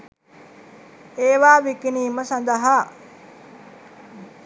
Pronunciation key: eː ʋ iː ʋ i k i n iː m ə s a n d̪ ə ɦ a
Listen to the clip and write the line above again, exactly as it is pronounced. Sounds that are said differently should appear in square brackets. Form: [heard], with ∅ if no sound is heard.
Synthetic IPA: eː ʋ [aː] ʋ i k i n iː m ə s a n d̪ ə ɦ a